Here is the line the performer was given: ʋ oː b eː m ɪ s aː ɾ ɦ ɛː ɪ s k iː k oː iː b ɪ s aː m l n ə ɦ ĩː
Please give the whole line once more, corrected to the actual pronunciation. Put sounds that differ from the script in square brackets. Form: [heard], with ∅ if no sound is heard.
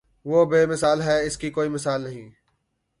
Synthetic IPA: ʋ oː b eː m ɪ s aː [l] ɦ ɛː ɪ s k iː k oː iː [m] ɪ s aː [∅] l n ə ɦ ĩː